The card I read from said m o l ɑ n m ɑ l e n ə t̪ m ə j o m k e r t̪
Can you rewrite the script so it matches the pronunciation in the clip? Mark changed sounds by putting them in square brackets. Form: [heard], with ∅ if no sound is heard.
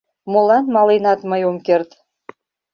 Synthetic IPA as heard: m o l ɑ n m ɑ l e n [ɑ] t̪ m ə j o m k e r t̪